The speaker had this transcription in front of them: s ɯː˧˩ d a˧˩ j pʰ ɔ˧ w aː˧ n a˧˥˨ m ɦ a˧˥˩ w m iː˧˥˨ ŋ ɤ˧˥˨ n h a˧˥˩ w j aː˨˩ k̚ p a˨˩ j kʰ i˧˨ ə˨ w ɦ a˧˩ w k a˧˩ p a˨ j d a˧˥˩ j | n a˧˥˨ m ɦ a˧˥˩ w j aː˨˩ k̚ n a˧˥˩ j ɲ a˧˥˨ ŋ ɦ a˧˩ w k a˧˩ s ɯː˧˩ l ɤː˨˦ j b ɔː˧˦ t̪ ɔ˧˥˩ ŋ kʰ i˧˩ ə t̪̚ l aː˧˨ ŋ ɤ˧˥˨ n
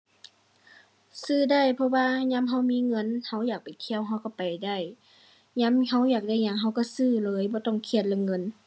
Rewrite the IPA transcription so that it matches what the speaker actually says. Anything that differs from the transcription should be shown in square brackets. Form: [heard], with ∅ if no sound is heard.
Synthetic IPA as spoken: s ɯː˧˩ d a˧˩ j pʰ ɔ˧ w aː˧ [ɲ] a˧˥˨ m ɦ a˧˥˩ w m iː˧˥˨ ŋ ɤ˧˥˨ n h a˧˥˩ w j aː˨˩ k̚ p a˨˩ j kʰ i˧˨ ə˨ w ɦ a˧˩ w k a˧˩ p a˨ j d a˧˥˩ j | [ɲ] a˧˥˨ m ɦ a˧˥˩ w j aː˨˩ k̚ [d] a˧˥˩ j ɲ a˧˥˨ ŋ ɦ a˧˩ w k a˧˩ s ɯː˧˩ l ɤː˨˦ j b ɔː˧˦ t̪ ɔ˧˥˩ ŋ kʰ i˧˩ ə t̪̚ l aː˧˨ ŋ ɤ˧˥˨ n